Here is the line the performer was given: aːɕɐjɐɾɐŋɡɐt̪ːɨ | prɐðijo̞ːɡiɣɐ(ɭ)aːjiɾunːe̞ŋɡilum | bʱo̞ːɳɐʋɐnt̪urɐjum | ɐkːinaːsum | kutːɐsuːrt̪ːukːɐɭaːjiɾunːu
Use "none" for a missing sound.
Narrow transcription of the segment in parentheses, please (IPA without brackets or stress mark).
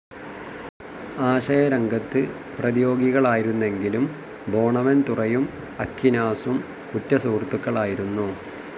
ɭ